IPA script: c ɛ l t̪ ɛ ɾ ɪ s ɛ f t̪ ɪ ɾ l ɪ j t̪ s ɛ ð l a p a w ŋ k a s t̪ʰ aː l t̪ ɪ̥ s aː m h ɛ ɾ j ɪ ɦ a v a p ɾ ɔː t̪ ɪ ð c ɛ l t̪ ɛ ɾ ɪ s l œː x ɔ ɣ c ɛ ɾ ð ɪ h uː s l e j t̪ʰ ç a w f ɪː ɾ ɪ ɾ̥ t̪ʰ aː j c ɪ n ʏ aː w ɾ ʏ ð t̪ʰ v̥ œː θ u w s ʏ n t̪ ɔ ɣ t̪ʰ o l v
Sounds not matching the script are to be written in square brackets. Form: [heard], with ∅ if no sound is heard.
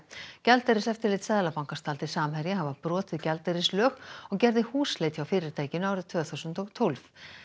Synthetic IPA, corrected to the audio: c ɛ l t̪ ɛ ɾ ɪ s ɛ f t̪ ɪ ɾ l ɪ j t̪ s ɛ ð l a p a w ŋ k a s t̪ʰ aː l t̪ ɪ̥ s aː m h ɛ ɾ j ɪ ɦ a v a p ɾ ɔː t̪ ɪ ð c ɛ l t̪ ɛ ɾ ɪ s l œː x ɔ ɣ c ɛ ɾ ð ɪ h uː s l e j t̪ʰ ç a w f ɪː ɾ ɪ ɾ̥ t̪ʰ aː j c ɪ n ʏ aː w ɾ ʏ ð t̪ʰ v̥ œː θ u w s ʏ n t̪ ɔ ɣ t̪ʰ o l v